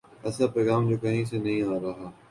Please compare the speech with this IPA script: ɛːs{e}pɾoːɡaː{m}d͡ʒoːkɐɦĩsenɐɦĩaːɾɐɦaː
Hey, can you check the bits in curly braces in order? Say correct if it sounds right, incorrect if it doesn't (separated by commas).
incorrect, correct